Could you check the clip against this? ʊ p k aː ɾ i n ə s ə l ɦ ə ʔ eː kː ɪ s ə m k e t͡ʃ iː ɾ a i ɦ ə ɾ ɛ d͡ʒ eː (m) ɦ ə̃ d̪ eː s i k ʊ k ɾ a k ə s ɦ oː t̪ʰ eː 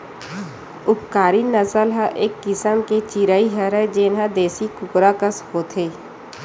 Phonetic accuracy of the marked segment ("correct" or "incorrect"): incorrect